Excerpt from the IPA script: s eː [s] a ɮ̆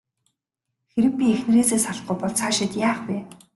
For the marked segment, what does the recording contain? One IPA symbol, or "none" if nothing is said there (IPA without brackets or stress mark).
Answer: s